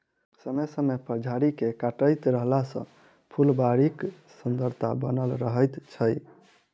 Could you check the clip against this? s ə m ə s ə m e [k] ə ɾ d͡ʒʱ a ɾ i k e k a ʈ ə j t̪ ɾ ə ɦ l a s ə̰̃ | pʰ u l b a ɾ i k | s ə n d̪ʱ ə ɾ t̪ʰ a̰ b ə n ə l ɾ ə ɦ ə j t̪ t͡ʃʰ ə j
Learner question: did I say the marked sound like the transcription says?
no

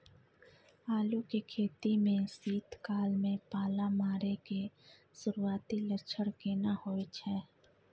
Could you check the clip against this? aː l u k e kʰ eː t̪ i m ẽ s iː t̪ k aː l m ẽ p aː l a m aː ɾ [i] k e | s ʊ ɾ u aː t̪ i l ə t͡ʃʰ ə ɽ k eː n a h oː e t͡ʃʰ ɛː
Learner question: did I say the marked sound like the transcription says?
no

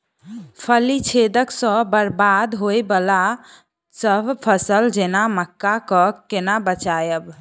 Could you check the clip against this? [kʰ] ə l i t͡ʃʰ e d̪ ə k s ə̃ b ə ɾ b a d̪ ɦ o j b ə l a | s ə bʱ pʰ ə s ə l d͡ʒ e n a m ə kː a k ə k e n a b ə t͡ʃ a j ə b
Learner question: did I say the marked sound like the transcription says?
no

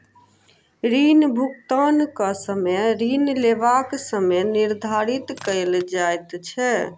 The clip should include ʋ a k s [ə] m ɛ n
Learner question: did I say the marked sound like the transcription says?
yes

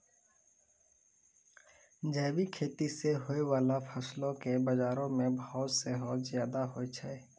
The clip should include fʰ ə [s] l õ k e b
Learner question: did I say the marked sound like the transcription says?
yes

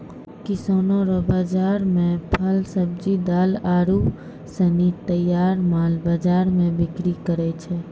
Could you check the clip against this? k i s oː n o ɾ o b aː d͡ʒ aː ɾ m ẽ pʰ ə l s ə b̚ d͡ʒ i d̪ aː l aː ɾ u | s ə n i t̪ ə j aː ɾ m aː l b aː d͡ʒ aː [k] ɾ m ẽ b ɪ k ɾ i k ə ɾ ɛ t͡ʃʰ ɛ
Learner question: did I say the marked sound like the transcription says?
no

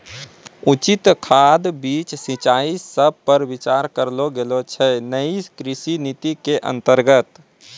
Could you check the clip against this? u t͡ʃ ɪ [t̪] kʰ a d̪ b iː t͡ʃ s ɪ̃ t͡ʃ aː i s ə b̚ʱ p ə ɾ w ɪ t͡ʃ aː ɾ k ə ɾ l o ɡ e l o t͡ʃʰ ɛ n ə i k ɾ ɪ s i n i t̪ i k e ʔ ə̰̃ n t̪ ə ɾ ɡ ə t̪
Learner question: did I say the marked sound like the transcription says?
yes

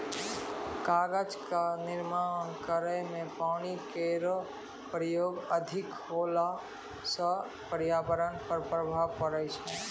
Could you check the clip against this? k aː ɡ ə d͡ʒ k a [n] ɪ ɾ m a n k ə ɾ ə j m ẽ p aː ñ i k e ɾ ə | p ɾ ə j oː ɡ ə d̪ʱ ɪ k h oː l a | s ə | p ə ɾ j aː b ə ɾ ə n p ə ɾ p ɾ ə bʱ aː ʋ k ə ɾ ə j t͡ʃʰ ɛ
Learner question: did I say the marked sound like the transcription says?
yes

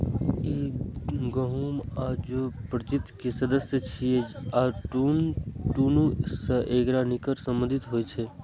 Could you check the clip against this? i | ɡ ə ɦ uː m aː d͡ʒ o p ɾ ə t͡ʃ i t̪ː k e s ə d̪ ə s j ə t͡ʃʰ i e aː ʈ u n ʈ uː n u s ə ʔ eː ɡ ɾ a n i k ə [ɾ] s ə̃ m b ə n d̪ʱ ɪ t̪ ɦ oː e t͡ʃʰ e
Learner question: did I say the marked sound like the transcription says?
yes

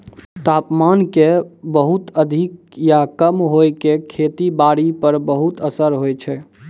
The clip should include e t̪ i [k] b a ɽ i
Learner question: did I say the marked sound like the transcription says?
no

